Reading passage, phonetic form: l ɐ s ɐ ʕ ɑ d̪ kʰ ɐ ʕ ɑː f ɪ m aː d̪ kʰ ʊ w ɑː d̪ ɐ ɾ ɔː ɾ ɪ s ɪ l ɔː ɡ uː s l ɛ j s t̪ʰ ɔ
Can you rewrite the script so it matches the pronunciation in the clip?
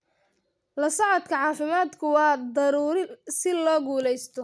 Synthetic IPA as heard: l ɐ s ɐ ʕ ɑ d̪ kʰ ɐ ʕ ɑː f ɪ m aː d̪ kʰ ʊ w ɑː d̪ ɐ ɾ uː ɾ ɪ s ɪ l ɔː ɡ uː l ɛ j s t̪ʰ ɔ